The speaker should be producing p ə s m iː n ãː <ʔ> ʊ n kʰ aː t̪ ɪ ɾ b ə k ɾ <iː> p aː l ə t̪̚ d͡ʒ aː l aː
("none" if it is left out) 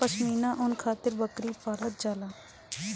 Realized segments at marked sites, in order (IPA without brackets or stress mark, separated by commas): ʔ, iː